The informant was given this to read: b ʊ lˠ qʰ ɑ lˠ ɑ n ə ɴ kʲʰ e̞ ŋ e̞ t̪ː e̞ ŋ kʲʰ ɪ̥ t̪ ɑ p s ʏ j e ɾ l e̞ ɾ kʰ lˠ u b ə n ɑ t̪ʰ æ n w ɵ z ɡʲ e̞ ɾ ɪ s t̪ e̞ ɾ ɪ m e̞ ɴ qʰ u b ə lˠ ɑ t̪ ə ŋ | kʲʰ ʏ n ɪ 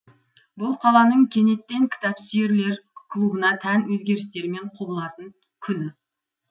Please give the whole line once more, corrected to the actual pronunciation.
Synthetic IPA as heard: b ʊ lˠ qʰ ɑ lˠ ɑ n ə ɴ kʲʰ e̞ n e̞ t̪ː e̞ ŋ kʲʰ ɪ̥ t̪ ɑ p s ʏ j e ɾ l e̞ ɾ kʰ lˠ u b ə n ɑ t̪ʰ æ n w ɵ z ɡʲ e̞ ɾ ɪ s t̪ e̞ ɾ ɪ m e̞ ɴ qʰ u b ə lˠ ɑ t̪ ə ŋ | kʲʰ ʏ n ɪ